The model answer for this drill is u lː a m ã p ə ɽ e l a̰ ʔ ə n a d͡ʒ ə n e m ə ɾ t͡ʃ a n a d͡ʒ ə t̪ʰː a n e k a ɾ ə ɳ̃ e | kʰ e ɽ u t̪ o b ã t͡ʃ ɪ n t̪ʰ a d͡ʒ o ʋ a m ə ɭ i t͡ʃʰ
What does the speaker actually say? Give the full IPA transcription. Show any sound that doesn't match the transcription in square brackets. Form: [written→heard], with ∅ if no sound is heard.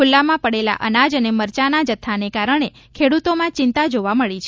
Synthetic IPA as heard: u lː a m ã p ə ɽ e l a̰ ʔ ə n a d͡ʒ ə n e m ə ɾ t͡ʃ a n a d͡ʒ ə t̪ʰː a n e k a ɾ ə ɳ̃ e | kʰ e ɽ u t̪ o [b→m] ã t͡ʃ ɪ n [t̪ʰ→t̪] a d͡ʒ o ʋ a m ə ɭ i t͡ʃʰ